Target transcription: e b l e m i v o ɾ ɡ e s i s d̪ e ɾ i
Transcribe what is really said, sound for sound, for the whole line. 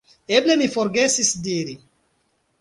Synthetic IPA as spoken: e b l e m i f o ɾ ɡ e s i s d̪ i ɾ i